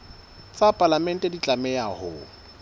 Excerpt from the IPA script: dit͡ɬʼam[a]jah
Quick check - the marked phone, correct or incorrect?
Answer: incorrect